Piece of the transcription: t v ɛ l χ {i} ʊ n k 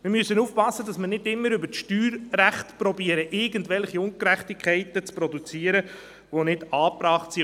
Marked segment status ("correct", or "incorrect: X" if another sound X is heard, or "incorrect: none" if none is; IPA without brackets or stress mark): correct